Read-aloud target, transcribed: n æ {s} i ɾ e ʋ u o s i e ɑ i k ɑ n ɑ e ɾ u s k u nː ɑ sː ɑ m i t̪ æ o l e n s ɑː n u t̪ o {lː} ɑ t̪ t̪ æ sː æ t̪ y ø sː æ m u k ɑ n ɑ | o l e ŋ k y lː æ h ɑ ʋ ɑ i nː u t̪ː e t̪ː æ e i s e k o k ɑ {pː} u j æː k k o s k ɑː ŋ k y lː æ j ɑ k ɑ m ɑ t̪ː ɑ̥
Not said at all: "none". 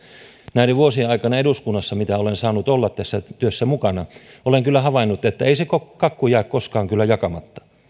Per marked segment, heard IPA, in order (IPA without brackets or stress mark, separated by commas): none, lː, kː